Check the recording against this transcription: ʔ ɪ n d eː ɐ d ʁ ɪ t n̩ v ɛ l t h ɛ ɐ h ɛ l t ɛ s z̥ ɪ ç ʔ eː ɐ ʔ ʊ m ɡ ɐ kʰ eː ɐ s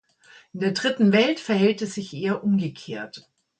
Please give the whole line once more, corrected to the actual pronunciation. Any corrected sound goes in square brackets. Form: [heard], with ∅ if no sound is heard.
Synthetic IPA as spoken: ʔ ɪ n d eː ɐ d ʁ ɪ t n̩ v ɛ l t [f] ɛ ɐ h ɛ l t ɛ s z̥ ɪ ç ʔ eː ɐ ʔ ʊ m ɡ [ə] kʰ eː ɐ [t]

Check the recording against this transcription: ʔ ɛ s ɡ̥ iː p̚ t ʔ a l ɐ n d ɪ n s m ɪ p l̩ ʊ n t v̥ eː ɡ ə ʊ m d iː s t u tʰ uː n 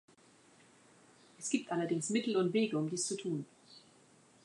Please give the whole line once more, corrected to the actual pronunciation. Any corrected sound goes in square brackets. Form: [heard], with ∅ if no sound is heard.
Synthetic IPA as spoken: ʔ ɛ s ɡ̥ iː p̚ t ʔ a l ɐ [∅] d ɪ [ŋ] s m ɪ [t] l̩ ʊ n t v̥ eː ɡ ə ʊ m d iː s [t͡s] u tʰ uː n

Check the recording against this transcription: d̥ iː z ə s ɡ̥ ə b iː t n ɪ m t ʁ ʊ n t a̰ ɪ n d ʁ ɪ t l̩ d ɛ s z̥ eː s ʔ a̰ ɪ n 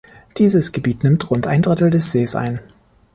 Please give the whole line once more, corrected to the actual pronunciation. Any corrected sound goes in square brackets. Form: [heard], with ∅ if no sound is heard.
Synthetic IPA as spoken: d̥ iː z ə s ɡ̥ ə b iː t n ɪ m t ʁ ʊ n t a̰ ɪ n d ʁ ɪ t l̩ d ɛ s z̥ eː s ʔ a̰ ɪ n

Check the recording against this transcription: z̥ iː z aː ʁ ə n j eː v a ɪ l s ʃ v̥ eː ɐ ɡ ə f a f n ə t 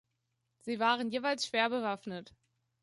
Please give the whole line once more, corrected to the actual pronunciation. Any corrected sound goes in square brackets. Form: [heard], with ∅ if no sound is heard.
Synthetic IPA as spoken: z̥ iː [v] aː ʁ ə n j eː v a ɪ l s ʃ v̥ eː ɐ [b] ə [v] a f n ə t

